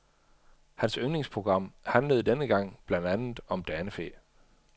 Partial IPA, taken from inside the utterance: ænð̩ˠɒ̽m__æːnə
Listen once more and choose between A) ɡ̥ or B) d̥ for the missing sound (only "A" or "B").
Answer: B